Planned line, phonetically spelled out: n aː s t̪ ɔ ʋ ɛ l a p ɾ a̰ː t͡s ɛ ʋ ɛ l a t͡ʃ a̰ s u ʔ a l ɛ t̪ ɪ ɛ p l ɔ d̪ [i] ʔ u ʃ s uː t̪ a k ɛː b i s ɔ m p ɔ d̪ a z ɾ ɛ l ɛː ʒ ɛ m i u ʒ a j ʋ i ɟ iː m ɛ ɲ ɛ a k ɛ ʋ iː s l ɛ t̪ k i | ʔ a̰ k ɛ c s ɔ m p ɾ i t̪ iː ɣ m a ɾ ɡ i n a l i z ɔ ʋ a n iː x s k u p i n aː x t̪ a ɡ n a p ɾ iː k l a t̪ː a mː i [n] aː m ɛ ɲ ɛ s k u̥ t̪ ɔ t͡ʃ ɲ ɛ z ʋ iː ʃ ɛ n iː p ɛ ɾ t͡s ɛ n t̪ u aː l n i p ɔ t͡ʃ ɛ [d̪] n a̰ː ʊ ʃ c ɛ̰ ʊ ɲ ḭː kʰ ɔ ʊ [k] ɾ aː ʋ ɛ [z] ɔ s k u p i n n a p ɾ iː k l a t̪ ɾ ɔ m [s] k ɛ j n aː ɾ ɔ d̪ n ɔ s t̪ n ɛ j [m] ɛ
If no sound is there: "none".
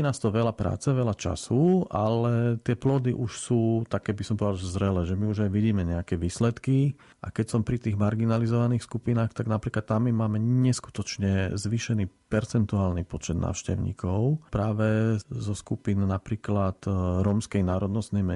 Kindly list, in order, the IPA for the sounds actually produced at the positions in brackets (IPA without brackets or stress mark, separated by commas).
i, m, d̪, p, z, s, m